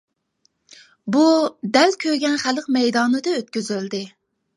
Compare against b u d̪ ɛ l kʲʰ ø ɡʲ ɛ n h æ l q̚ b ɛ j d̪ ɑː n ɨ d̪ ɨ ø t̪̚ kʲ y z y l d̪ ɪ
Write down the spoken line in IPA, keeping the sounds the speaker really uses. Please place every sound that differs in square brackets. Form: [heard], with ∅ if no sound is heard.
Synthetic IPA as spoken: b u d̪ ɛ l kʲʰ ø ɡʲ ɛ n [χ] æ l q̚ [m] ɛ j d̪ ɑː n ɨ d̪ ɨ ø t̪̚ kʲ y z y l d̪ ɪ